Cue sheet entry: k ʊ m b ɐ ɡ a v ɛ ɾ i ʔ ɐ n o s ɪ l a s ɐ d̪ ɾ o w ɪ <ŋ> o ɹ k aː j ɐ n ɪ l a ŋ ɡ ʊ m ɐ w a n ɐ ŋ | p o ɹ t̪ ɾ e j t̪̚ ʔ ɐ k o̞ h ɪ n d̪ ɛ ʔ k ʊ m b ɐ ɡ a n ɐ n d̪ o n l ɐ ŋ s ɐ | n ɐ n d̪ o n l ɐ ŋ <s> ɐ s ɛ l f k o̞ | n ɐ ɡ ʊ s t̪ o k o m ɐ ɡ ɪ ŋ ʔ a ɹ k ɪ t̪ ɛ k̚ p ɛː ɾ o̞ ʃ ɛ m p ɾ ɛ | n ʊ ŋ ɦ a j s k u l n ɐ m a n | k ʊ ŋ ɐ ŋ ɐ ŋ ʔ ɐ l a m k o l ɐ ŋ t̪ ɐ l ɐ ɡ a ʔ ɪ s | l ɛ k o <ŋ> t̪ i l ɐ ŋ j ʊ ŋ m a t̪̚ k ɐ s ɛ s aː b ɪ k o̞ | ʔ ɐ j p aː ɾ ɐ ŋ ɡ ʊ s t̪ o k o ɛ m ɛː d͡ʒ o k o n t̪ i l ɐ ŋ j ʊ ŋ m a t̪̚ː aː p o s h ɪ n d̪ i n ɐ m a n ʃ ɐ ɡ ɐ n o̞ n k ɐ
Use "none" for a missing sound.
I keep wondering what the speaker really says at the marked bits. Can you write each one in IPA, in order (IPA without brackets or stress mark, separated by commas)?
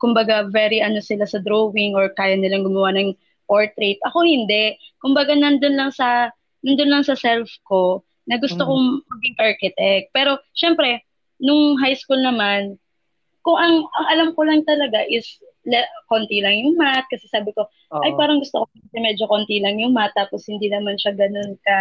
ŋ, s, n